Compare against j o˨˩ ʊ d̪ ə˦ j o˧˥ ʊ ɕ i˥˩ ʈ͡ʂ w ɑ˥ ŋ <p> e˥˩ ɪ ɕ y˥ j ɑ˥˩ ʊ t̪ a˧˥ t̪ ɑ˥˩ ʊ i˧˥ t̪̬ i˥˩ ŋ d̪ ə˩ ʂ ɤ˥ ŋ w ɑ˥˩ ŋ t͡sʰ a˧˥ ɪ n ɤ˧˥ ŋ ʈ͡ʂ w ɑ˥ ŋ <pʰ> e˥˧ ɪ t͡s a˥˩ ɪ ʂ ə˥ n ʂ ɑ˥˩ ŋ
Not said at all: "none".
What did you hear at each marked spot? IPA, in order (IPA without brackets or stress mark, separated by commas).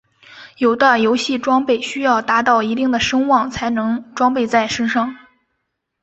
p, p